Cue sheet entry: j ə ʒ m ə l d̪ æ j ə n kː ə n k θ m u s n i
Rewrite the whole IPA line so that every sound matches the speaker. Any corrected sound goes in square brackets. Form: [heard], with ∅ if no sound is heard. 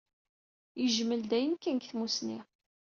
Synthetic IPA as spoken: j ə ʒ m ə l d̪ æ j ə n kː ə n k θ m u s n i